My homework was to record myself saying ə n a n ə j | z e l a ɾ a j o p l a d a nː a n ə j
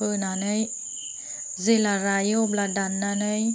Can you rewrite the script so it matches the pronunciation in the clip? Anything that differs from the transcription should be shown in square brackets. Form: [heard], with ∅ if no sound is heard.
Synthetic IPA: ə n a n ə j | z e l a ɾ a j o [b] l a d a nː a n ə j